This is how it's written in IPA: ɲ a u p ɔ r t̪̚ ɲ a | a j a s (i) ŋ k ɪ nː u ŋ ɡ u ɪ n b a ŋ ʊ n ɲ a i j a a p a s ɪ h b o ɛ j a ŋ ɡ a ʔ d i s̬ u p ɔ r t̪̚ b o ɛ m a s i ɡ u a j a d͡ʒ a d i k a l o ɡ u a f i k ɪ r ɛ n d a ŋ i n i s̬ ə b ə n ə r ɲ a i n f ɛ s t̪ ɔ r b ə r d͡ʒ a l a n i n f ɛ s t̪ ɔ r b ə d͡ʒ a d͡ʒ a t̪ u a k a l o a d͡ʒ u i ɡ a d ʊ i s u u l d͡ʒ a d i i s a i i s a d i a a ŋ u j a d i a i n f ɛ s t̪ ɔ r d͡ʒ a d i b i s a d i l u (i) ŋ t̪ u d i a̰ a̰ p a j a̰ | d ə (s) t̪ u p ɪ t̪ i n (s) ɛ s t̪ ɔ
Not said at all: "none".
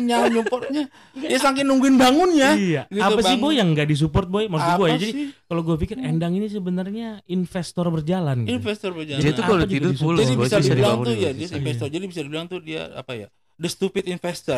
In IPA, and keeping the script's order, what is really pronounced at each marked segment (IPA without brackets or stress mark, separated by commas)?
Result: a, a, s, f